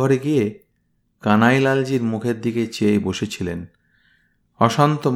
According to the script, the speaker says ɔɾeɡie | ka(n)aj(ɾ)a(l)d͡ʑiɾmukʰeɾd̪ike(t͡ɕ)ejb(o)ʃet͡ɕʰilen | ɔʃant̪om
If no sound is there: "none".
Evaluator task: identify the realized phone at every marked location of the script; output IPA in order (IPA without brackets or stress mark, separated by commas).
n, l, l, t͡ɕ, o